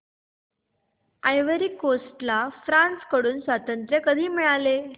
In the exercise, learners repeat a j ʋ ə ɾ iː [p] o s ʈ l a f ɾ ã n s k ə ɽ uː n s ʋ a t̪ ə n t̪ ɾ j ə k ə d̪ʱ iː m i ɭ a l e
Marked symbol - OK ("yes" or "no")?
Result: no